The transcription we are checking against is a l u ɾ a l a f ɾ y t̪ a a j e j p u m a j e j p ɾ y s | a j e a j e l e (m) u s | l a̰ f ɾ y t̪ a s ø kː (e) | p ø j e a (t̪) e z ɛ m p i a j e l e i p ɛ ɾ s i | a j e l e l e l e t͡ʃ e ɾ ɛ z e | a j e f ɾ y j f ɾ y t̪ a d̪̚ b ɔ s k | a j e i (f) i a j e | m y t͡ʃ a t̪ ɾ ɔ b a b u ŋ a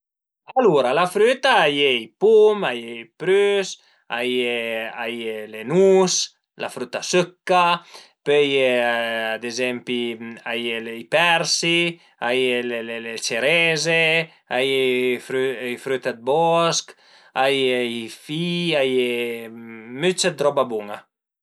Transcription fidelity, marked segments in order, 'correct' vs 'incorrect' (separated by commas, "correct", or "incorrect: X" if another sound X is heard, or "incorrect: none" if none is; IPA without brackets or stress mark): incorrect: n, incorrect: a, incorrect: d̪, correct